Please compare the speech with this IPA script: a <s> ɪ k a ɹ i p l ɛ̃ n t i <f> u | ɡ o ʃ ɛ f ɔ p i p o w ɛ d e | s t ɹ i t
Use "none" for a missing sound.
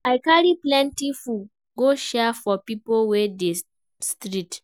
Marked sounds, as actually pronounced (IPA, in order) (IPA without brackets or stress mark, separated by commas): none, f